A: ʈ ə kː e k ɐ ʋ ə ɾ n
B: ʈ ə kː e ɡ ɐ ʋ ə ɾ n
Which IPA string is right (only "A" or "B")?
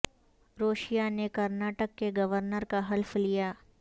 B